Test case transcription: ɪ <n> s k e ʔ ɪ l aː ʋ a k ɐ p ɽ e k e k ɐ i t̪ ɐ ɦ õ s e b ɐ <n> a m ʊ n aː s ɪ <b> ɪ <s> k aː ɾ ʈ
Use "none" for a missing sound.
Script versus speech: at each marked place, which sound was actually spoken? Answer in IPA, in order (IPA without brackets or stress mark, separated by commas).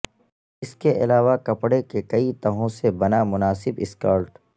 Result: none, n, b, s